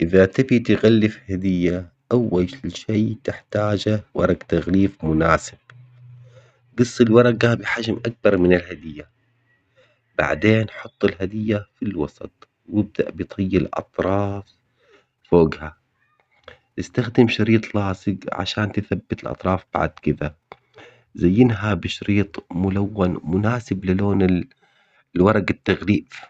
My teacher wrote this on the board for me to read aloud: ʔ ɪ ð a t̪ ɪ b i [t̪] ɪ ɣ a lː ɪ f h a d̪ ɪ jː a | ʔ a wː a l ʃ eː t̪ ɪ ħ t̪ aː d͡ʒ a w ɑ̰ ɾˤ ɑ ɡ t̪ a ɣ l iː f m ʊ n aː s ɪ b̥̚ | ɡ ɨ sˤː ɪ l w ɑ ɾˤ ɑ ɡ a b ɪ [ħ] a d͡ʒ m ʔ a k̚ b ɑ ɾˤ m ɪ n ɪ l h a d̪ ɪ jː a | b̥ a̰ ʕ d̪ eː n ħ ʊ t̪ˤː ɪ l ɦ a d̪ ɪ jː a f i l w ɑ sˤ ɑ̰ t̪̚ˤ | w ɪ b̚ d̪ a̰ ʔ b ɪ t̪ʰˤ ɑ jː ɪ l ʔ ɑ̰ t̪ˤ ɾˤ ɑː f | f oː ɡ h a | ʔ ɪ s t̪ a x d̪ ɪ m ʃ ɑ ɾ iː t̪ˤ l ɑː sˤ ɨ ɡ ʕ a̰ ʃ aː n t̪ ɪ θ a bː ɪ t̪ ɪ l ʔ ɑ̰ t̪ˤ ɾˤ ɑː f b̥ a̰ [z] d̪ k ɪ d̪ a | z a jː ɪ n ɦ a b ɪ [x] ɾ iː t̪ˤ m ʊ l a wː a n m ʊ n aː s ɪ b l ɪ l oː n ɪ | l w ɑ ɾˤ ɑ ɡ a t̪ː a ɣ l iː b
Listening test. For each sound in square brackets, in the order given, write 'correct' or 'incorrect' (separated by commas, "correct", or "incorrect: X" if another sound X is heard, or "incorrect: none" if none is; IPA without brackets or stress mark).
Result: correct, correct, incorrect: ʕ, incorrect: ʃ